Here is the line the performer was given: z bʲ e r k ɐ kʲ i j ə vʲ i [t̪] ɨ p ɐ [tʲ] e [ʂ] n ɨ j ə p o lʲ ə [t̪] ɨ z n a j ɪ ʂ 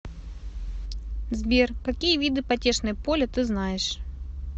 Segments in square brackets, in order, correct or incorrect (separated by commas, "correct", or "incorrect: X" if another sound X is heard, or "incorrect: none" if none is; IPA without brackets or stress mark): incorrect: d̪, correct, correct, correct